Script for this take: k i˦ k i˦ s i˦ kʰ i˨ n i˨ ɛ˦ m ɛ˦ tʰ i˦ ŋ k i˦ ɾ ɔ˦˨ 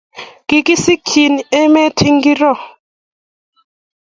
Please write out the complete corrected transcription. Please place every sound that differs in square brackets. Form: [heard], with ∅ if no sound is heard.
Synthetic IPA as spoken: k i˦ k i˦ s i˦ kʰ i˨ n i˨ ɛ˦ m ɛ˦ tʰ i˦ ŋ [ɡ] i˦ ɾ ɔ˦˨